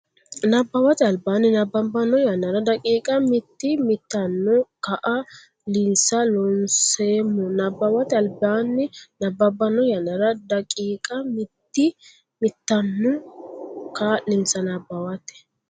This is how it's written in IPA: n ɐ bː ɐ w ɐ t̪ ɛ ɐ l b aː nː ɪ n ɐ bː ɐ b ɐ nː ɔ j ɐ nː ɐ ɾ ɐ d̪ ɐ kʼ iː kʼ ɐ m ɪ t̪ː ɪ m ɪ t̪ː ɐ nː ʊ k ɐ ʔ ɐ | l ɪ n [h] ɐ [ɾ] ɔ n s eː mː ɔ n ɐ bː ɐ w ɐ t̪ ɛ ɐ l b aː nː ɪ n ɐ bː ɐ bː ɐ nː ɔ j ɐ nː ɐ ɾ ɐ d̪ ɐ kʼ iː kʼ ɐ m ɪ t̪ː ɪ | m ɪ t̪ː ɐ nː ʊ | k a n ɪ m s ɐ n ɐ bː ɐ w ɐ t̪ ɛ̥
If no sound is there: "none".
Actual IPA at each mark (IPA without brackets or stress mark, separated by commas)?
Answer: s, l